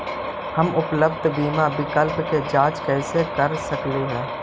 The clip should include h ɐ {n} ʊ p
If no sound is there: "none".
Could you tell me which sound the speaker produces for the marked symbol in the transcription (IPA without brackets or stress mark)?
m